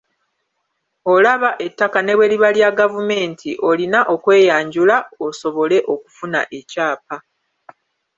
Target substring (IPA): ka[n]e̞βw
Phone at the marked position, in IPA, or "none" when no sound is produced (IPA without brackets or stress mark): n